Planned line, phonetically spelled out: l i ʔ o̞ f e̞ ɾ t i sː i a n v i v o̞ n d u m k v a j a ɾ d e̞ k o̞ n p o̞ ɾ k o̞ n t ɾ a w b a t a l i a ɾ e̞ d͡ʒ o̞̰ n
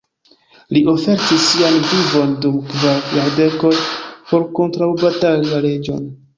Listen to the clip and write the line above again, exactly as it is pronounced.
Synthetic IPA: l i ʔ o̞ f e̞ ɾ t i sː i a n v i v o̞ n d u m k v a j a ɾ d e̞ k o̞ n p o̞ ɾ k o̞ n t ɾ a w b a t a l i a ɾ e̞ d͡ʒ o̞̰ n